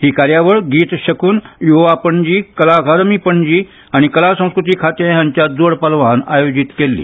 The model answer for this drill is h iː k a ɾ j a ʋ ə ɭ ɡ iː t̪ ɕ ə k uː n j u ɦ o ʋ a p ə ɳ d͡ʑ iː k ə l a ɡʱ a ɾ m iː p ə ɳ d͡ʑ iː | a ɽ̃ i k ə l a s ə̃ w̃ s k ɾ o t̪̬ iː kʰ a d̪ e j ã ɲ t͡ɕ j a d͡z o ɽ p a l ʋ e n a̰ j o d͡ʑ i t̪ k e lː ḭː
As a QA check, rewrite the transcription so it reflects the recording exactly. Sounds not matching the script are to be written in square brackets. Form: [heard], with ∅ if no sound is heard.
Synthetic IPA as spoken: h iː k a ɾ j a ʋ ə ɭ ɡ iː t̪ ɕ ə k uː n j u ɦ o ʋ a p ə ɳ d͡ʑ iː k ə l a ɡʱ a ɾ m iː p ə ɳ d͡ʑ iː | a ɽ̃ i k ə l a s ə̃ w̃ s k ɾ [u] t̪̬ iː kʰ a [t̪] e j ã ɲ t͡ɕ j a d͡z o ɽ p a l ʋ [a] n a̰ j o d͡ʑ i t̪ k e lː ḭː